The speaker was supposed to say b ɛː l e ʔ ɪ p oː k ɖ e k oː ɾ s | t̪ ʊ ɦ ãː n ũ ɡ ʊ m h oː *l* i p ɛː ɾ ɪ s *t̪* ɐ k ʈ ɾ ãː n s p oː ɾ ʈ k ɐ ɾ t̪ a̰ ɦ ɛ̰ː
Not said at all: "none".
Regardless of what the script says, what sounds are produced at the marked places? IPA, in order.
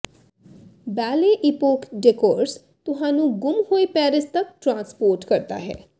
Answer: none, t̪

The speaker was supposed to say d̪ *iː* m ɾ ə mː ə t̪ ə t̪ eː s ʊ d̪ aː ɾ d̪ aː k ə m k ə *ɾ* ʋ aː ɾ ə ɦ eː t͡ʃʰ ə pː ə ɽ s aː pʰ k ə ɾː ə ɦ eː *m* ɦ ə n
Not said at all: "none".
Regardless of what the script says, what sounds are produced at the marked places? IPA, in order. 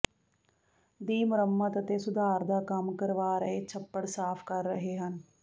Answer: iː, ɾ, none

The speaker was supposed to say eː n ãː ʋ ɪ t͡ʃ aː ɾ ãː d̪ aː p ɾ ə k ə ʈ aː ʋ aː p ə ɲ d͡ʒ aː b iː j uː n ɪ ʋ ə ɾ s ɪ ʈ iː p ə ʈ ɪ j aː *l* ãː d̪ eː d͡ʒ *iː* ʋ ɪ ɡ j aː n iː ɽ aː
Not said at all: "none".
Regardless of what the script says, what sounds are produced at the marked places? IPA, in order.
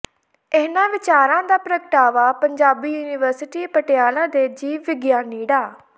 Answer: l, iː

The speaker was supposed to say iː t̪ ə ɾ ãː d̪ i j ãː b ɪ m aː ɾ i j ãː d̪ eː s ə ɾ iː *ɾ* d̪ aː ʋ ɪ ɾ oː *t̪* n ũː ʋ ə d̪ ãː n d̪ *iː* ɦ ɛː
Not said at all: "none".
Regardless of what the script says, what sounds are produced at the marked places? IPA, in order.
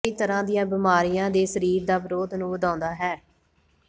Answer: ɾ, d̪, aː

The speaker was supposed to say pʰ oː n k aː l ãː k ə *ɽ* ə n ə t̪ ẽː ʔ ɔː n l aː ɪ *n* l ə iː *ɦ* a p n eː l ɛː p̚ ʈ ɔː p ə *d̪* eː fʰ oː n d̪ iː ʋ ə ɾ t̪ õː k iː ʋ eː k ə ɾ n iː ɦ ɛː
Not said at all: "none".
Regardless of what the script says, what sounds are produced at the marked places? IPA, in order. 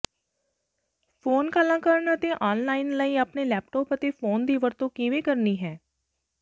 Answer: ɾ, n, none, t̪

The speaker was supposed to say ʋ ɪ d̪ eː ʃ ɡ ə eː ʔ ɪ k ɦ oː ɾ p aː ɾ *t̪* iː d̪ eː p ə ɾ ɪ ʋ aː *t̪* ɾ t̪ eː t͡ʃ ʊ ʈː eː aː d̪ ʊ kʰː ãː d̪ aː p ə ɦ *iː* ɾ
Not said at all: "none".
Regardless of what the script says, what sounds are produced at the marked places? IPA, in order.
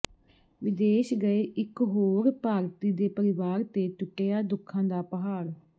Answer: t̪, none, aː

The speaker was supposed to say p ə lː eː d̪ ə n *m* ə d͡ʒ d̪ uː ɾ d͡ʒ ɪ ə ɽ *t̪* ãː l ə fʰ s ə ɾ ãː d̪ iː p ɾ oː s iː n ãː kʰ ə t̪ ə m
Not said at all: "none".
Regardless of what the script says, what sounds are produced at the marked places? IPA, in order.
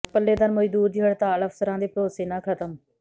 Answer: m, t̪

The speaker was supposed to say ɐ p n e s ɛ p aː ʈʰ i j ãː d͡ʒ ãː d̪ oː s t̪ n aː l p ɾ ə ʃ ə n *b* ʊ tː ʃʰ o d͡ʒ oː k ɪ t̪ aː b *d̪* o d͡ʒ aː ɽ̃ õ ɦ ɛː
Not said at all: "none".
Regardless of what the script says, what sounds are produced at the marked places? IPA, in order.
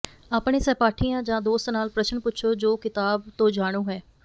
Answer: p, t̪

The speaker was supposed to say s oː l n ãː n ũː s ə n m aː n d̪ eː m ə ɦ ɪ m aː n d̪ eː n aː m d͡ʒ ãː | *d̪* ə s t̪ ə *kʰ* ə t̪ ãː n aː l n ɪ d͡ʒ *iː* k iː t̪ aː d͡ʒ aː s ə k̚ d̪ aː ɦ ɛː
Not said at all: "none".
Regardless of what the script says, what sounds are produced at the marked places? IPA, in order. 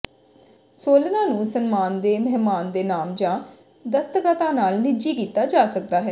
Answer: d̪, k, iː

